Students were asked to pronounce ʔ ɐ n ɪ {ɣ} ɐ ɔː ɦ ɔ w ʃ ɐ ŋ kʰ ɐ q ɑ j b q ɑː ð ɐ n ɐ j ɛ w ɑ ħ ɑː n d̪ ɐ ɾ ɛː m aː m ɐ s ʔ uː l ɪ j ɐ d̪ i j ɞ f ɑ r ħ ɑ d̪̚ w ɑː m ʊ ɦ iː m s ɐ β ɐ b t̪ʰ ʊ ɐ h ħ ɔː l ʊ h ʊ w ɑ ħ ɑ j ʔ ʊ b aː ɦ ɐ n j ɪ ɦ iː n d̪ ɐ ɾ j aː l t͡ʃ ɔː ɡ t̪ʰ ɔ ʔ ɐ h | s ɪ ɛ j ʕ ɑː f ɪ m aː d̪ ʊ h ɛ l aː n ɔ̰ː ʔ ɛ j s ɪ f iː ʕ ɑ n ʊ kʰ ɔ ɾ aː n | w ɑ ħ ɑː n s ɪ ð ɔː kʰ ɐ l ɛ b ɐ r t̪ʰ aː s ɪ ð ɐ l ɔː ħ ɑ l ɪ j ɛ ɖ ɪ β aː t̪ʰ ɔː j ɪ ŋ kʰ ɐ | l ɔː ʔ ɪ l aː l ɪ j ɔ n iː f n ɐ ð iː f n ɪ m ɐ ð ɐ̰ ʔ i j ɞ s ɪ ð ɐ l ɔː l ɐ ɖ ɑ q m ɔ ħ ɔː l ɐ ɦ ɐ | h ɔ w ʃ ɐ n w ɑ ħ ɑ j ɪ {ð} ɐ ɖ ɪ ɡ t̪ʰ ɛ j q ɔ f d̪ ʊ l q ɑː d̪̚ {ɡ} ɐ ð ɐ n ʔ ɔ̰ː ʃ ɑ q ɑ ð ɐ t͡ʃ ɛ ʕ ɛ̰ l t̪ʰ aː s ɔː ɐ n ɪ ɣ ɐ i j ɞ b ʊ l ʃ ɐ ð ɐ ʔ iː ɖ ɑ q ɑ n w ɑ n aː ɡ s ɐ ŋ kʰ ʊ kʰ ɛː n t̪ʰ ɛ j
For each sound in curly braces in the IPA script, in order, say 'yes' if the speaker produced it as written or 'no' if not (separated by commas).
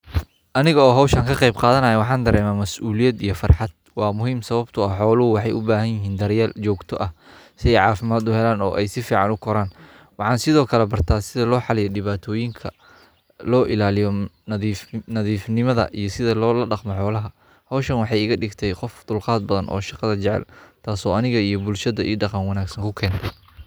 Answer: yes, no, no